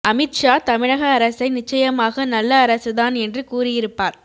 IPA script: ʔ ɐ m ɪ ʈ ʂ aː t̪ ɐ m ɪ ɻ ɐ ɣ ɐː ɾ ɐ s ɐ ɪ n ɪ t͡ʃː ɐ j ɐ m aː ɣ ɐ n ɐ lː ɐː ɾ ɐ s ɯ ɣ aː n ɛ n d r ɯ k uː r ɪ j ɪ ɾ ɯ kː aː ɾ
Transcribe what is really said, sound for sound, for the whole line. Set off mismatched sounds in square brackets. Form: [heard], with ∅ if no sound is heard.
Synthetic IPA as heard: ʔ ɐ m ɪ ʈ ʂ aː t̪ ɐ m ɪ ɻ ɐ ɣ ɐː ɾ ɐ s ɐ ɪ n ɪ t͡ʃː ɐ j ɐ m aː ɣ ɐ n ɐ lː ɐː ɾ ɐ s ɯ [ð] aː n ɛ n d r ɯ k uː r ɪ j ɪ ɾ ɯ [pː] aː ɾ